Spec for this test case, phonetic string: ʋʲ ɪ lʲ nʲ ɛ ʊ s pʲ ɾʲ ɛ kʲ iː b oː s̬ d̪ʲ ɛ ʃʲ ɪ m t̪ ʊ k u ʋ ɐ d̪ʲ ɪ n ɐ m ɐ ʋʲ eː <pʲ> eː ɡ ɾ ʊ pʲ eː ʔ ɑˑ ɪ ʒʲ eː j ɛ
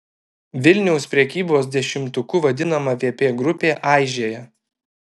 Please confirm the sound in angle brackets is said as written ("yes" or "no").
yes